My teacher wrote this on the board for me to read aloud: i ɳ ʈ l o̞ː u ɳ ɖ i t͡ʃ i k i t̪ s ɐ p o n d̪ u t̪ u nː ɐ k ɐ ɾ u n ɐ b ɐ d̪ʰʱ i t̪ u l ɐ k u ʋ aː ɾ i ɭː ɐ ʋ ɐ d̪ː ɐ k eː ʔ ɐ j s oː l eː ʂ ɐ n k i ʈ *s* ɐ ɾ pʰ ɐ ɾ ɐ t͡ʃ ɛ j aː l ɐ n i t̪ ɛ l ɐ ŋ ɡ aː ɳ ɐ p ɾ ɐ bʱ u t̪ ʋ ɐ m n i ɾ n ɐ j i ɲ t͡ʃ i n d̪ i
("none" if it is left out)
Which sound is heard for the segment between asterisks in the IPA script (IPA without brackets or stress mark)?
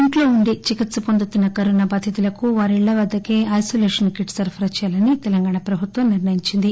s